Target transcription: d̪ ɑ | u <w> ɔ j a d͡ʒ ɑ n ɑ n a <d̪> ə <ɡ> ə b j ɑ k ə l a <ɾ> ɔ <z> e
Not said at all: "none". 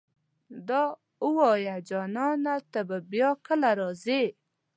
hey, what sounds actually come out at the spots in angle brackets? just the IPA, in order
w, t̪, b, ɾ, z

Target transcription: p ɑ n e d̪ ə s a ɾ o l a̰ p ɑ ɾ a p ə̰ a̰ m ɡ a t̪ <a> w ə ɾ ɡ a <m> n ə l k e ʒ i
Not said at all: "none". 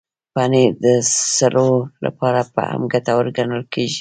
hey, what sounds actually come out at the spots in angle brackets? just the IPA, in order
a, none

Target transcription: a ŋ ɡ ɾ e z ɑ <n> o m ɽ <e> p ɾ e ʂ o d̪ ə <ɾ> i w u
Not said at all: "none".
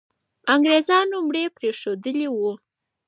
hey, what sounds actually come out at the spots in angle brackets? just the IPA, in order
n, e, l

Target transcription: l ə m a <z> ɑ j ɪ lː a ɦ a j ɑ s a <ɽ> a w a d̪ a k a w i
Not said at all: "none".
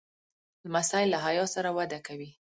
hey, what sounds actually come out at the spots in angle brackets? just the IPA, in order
s, ɾ

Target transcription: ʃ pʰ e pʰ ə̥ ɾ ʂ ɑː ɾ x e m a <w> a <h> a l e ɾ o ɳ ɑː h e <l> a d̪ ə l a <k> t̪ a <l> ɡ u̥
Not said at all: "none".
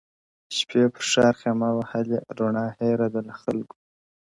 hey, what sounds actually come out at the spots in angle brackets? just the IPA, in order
w, h, ɾ, x, l

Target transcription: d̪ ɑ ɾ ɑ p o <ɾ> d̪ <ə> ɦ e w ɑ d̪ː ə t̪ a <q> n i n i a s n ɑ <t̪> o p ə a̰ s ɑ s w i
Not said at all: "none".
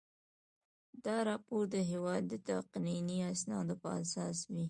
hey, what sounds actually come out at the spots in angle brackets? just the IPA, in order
ɾ, ə, q, d̪

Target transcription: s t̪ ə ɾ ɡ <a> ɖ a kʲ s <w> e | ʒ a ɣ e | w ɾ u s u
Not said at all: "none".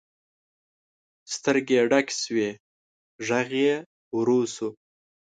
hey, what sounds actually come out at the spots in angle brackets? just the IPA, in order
e, w

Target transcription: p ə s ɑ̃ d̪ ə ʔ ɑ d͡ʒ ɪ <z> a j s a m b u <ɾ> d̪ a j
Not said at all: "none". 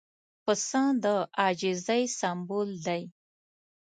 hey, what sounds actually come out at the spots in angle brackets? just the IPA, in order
z, l

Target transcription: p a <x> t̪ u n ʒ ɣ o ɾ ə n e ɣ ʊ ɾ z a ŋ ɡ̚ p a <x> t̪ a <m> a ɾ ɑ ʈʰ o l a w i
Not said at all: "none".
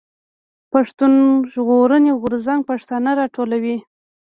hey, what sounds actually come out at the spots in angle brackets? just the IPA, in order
ʂ, ʂ, n

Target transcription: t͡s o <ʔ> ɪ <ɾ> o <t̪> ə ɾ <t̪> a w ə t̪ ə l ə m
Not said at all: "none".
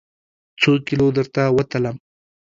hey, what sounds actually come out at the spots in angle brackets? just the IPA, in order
k, l, d̪, t̪

